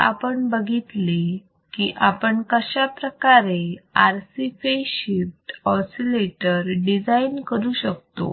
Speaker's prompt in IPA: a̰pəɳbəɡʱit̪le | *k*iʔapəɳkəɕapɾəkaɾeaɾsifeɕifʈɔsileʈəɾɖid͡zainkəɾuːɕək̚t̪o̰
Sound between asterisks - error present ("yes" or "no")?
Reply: no